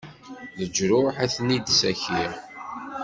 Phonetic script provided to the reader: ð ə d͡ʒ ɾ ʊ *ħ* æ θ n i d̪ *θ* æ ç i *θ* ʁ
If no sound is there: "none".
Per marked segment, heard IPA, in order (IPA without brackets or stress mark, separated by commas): ħ, s, none